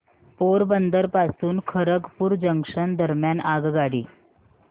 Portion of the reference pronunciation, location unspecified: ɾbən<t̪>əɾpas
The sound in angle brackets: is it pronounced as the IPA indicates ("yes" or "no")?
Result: no